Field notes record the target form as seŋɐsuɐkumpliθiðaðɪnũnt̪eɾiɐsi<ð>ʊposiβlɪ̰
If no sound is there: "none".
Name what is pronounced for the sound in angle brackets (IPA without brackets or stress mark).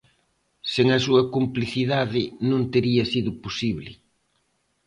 ð